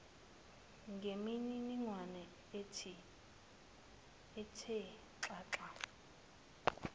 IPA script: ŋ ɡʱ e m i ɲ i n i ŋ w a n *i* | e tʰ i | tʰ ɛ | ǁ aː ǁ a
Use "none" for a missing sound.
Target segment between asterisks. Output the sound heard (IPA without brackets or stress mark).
ɛ